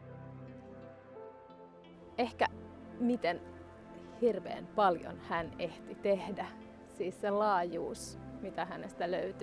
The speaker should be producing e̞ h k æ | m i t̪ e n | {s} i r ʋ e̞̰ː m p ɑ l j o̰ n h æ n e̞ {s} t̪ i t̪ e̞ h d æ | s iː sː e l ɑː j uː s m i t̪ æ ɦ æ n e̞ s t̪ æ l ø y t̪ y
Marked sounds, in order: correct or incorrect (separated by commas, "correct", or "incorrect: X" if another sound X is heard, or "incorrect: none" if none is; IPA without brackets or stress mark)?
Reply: incorrect: h, incorrect: h